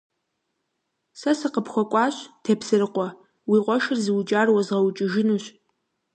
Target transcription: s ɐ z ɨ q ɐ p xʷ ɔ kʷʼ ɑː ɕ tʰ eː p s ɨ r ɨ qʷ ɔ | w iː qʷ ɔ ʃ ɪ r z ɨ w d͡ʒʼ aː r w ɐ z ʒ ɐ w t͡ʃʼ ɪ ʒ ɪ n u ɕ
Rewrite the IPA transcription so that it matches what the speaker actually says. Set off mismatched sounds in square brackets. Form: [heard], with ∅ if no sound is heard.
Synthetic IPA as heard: s ɐ [s] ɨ q [ə] p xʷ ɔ kʷʼ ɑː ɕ tʰ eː p s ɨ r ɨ qʷ ɔ | w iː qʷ ɔ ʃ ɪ r z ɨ w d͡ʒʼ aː r w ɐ z [ʁ] ɐ w t͡ʃʼ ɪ ʒ ɪ n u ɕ